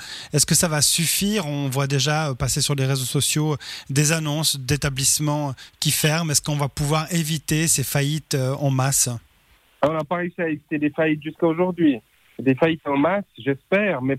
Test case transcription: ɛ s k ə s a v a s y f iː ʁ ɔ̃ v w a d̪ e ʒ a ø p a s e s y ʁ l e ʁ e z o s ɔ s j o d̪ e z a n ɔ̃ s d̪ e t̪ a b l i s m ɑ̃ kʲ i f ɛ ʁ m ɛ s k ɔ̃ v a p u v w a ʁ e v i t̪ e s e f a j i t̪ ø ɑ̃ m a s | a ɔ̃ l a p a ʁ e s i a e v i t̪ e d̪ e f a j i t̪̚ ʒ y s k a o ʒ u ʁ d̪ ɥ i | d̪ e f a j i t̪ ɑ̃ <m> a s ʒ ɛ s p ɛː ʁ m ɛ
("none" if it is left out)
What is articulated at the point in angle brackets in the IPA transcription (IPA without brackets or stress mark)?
m